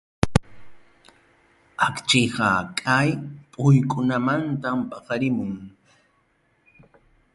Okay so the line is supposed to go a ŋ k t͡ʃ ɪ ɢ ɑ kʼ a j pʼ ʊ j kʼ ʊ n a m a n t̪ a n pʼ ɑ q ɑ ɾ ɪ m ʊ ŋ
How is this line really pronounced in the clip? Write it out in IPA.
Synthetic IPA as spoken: a k t͡ʃ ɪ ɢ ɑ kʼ a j pʼ ʊ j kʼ ʊ n a m a n t̪ a m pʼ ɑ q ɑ ɾ ɪ m ʊ ŋ